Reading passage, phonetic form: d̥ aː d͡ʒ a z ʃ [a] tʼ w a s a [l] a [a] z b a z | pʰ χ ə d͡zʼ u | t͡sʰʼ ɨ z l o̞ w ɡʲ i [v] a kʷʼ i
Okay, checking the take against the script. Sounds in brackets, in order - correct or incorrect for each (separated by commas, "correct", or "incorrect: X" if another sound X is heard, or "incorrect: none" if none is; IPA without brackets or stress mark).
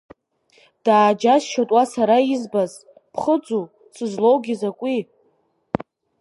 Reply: correct, incorrect: ɾ, incorrect: i, incorrect: z